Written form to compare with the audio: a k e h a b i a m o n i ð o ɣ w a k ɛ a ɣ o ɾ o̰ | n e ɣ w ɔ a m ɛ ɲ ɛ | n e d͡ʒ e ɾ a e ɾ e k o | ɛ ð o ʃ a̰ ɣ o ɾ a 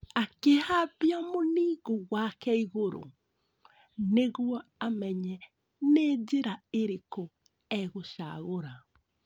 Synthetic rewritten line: a k e h a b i a m o n i ɣ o ɣ w a k ɛ i ɣ o ɾ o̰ | n e ɣ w ɔ a m ɛ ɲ ɛ | n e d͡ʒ e ɾ a e ɾ e k o | ɛ ɣ o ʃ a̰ ɣ o ɾ a